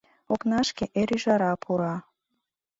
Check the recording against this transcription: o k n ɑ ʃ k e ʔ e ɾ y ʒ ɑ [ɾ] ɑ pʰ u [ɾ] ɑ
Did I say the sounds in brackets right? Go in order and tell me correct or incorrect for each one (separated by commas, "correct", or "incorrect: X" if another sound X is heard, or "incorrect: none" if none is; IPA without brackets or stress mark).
correct, correct